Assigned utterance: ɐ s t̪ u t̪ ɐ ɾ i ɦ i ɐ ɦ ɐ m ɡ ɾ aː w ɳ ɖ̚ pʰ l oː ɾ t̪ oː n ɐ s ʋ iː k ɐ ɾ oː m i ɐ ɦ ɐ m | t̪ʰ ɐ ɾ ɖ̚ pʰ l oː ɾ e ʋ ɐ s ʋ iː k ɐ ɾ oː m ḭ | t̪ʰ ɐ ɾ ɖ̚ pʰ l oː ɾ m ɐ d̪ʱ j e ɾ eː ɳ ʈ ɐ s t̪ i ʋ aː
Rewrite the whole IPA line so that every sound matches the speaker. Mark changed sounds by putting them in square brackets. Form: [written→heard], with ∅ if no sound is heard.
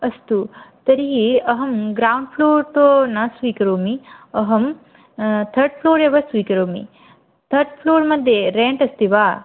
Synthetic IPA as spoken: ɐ s t̪ u t̪ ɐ ɾ i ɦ i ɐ ɦ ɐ m ɡ ɾ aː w ɳ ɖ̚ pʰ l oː ɾ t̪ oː n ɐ s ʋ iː k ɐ ɾ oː m i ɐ ɦ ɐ m | t̪ʰ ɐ ɾ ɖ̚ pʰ l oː ɾ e ʋ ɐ s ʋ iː k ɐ ɾ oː m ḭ | t̪ʰ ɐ ɾ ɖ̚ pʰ l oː ɾ m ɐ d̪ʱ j e ɾ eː ɳ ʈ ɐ s t̪ i ʋ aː